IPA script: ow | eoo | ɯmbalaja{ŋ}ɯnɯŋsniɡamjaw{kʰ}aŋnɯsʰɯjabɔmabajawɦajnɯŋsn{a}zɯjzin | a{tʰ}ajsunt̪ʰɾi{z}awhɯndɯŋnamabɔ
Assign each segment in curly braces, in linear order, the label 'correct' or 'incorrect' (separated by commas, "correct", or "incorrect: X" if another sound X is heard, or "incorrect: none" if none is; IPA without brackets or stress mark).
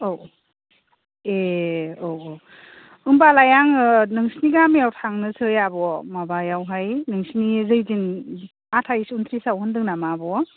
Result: correct, incorrect: tʰ, incorrect: i, correct, incorrect: s